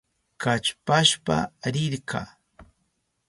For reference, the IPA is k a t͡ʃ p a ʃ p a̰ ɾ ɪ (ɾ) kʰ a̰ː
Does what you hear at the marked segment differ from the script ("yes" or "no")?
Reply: no